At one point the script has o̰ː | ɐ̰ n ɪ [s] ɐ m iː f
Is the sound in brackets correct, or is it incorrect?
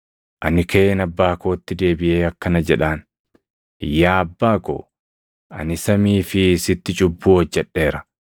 correct